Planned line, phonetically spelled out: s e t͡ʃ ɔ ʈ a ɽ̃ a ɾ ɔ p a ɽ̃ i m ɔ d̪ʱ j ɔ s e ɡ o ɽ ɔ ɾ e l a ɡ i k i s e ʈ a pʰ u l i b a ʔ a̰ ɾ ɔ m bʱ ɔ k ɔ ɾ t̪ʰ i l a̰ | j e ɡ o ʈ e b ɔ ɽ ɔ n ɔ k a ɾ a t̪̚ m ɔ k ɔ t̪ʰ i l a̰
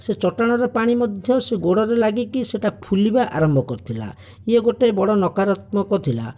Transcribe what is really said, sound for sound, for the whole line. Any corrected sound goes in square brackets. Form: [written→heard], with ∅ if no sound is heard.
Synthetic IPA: s e t͡ʃ ɔ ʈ a ɽ̃ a ɾ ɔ p a ɽ̃ i m ɔ d̪ʱ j ɔ s e ɡ o ɽ ɔ ɾ e l a ɡ i k i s e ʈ a pʰ u l i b a ʔ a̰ ɾ ɔ m bʱ ɔ k ɔ ɾ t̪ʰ i l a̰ | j e ɡ o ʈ e b ɔ ɽ ɔ n ɔ k a ɾ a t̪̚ m ɔ k ɔ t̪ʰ i l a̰